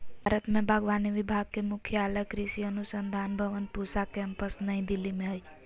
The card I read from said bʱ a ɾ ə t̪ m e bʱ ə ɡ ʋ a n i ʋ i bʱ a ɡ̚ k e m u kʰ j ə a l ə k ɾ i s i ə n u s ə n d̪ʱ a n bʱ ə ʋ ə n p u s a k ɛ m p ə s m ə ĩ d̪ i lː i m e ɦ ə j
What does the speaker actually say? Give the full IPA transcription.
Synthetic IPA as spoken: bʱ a ɾ ə t̪ m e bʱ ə ɡ ʋ a n i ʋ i bʱ a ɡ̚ k e m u kʰ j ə a l ə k ɾ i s i ə n u s ə n d̪ʱ a n bʱ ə ʋ ə n p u s a k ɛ m p ə s n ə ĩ d̪ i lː i m e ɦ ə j